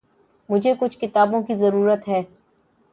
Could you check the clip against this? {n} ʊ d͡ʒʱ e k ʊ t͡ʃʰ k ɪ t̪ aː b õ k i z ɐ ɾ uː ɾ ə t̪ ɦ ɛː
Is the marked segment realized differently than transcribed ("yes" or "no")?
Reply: yes